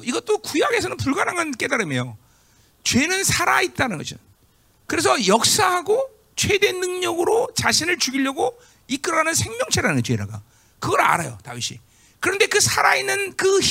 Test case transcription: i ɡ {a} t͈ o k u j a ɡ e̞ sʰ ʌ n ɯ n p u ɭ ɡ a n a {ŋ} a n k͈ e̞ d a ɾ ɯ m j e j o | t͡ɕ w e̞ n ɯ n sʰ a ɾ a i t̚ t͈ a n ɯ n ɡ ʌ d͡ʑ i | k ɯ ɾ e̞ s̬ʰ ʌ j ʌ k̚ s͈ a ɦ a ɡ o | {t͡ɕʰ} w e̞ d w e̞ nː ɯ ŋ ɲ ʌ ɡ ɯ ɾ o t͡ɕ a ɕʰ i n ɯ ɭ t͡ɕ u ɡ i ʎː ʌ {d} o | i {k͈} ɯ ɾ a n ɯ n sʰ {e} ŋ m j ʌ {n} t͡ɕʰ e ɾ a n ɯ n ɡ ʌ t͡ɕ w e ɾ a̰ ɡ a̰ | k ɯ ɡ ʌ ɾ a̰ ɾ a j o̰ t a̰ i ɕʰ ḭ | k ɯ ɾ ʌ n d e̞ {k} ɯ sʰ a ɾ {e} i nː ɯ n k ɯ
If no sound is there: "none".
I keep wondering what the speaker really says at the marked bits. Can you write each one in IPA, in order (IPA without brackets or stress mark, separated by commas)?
ʌ, ŋ, t͡ɕʰ, ɡ, k͈, e, ŋ, k, a